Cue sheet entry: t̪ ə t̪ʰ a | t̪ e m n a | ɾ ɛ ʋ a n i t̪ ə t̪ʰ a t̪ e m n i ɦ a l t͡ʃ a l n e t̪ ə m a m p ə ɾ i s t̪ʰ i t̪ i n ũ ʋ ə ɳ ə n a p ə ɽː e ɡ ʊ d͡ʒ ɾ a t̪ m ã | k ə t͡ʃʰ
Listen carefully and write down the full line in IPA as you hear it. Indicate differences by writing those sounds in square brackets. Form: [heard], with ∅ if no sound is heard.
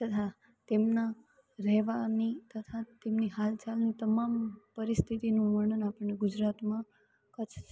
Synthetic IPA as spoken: t̪ ə t̪ʰ a | t̪ e m n a | ɾ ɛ ʋ a n i t̪ ə t̪ʰ a t̪ e m n i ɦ a l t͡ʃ a l n [i] t̪ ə m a m p ə ɾ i s t̪ʰ i t̪ i n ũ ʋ ə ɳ ə n a p ə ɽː e ɡ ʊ d͡ʒ ɾ a t̪ m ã | k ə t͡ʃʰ